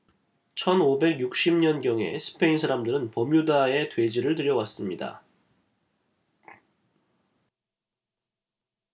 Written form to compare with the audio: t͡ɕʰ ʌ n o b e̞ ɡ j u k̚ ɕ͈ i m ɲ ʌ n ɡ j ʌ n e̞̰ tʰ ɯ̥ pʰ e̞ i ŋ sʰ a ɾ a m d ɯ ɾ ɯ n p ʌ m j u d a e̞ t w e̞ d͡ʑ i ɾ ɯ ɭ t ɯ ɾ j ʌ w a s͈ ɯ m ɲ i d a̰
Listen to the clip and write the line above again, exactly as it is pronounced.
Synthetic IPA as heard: t͡ɕʰ ʌ n o b e̞ ɡ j u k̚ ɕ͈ i m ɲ ʌ n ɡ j ʌ ŋ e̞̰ sʰ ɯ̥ pʰ e̞ i n sʰ a ɾ a m d ɯ ɾ ɯ n p ʌ m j u d a e̞ t w e̞ d͡ʑ i ɾ ɯ ɭ t ɯ ɾ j ʌ w a s͈ ɯ m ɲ i d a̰